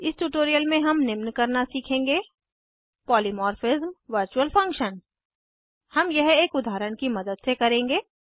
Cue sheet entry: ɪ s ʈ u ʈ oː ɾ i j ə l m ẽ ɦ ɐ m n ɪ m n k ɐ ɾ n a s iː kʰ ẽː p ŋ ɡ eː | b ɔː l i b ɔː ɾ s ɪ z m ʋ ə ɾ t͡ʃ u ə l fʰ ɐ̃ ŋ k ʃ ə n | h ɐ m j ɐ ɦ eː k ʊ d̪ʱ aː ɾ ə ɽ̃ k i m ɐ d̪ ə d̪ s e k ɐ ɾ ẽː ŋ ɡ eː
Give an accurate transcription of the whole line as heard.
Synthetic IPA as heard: ɪ s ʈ u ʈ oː ɾ i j ə l m ẽ ɦ ɐ m n ɪ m n k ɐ ɾ n a s iː kʰ ẽː ŋ ɡ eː | p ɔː l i m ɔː ɾ f ɪ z m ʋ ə ɾ t͡ʃ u ə l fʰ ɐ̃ ŋ k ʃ ə n | h ɐ m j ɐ ɦ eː k ʊ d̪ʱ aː ɾ ə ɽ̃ k i m ɐ d̪ ə d̪ s e k ɐ ɾ ẽː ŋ ɡ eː